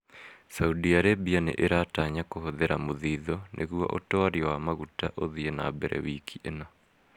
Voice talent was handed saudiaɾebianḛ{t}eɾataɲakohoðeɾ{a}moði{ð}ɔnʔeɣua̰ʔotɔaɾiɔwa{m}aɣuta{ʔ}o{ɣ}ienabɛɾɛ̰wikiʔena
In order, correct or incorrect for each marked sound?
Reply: incorrect, correct, correct, correct, correct, incorrect

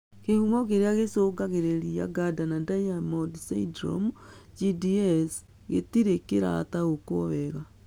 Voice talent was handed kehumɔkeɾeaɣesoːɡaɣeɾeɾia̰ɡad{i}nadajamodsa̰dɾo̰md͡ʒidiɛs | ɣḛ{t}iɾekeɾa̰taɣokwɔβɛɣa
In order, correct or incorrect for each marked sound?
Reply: incorrect, correct

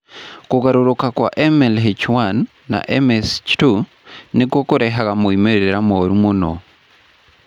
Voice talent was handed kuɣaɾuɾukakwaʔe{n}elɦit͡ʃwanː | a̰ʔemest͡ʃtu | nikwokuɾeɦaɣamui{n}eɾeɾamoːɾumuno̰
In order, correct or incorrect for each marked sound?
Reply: incorrect, incorrect

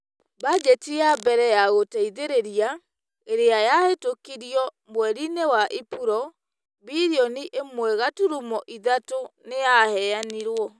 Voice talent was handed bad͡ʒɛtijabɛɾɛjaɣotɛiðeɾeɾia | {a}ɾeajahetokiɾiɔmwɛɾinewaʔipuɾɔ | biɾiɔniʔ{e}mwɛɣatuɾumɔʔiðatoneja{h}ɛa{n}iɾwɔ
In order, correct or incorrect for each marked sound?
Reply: incorrect, correct, correct, correct

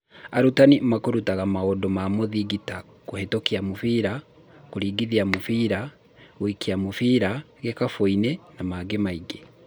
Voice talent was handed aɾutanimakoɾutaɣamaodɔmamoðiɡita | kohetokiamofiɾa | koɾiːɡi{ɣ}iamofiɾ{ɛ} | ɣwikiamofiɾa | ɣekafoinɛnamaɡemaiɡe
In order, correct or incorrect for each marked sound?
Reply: incorrect, incorrect

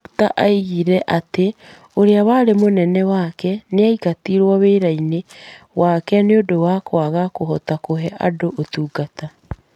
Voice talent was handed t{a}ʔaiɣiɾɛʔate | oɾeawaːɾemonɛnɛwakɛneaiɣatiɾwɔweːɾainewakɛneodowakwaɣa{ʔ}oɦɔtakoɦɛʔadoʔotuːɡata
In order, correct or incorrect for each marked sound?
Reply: correct, incorrect

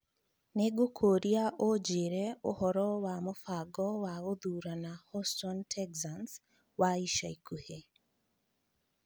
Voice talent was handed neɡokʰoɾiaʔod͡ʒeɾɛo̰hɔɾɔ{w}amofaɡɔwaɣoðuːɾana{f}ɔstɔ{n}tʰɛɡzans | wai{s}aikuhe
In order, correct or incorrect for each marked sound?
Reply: correct, incorrect, correct, incorrect

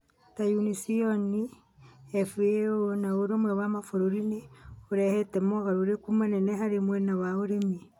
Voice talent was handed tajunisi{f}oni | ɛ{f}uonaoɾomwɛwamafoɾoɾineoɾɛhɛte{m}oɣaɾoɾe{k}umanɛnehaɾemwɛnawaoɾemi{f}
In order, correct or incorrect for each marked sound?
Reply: incorrect, correct, correct, correct, incorrect

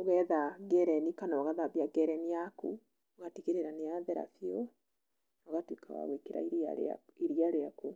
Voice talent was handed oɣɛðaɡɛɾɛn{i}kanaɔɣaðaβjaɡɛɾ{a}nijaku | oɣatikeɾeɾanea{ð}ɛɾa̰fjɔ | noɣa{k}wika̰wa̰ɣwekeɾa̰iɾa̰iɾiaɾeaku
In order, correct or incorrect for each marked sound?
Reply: correct, incorrect, correct, incorrect

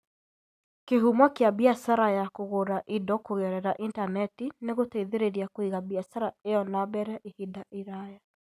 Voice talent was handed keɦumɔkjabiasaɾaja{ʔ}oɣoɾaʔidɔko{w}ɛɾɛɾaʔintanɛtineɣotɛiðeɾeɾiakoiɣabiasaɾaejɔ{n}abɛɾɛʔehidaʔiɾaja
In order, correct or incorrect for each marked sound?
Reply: incorrect, incorrect, correct

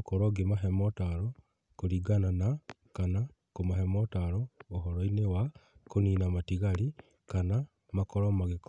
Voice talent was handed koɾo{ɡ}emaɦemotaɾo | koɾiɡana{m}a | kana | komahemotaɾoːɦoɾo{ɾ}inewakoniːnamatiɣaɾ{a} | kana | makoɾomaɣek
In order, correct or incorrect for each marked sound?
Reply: correct, incorrect, incorrect, incorrect

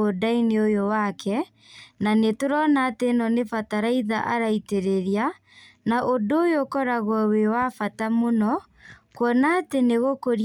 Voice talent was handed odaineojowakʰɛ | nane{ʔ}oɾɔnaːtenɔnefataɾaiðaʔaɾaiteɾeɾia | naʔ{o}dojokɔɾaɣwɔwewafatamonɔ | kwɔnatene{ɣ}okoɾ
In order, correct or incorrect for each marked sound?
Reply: incorrect, correct, correct

